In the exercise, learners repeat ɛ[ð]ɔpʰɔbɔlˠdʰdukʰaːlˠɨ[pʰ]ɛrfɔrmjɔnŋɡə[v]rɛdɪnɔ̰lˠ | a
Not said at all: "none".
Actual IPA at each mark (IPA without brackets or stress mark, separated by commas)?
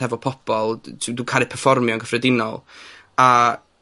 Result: v, pʰ, f